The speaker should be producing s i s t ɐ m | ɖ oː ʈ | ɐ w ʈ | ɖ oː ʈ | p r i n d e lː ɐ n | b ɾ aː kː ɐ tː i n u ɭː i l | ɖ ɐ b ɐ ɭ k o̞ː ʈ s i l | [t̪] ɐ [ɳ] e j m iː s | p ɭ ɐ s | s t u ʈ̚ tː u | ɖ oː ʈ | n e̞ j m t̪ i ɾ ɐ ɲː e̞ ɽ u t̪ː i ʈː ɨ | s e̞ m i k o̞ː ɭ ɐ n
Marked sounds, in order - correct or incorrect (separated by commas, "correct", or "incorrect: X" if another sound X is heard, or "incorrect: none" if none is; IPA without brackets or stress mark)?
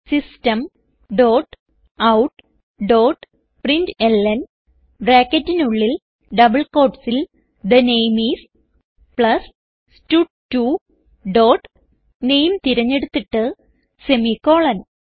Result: incorrect: d̪, incorrect: n